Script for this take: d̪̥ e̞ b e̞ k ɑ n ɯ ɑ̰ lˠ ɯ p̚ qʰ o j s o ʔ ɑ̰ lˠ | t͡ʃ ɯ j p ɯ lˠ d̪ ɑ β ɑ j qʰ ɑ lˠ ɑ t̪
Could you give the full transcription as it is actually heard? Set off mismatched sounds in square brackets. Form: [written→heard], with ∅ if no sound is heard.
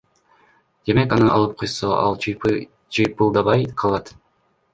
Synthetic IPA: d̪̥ e̞ [b→m] e̞ k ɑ n ɯ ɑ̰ lˠ ɯ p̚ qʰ o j s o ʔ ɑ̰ lˠ | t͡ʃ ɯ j p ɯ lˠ d̪ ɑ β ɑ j qʰ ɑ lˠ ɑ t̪